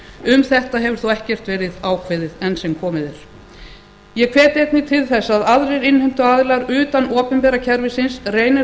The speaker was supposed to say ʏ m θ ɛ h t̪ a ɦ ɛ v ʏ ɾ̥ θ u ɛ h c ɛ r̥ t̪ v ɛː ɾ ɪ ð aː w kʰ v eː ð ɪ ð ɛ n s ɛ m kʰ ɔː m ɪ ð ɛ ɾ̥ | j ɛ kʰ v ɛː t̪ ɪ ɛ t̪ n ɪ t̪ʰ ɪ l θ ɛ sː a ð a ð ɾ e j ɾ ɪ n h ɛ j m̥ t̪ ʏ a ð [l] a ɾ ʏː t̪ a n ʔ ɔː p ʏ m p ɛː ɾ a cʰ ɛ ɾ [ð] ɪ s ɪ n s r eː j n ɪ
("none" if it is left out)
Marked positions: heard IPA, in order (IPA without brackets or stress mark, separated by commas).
l, v